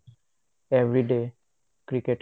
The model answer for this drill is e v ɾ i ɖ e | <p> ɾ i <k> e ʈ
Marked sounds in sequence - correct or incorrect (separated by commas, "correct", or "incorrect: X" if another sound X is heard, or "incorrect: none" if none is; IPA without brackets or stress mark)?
incorrect: k, correct